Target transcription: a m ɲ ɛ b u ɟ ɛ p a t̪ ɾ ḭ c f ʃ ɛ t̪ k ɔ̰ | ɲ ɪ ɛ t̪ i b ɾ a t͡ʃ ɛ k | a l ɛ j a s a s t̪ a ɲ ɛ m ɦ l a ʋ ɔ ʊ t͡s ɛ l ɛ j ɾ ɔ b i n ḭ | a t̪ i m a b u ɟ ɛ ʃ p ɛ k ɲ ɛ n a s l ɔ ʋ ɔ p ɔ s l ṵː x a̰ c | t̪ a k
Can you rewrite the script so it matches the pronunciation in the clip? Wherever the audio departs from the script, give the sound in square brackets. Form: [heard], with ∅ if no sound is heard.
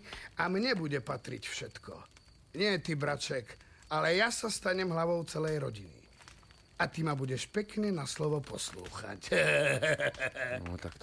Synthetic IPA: a m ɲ ɛ b u ɟ ɛ p a t̪ ɾ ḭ c f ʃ ɛ t̪ k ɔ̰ | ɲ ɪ ɛ t̪ i b ɾ a t͡ʃ ɛ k | a l ɛ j a s a s t̪ a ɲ ɛ m ɦ l a ʋ ɔ ʊ t͡s ɛ l ɛ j ɾ ɔ [ɟ] i n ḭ | a t̪ i m a b u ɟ ɛ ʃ p ɛ k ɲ ɛ n a s l ɔ ʋ ɔ p ɔ s l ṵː x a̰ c | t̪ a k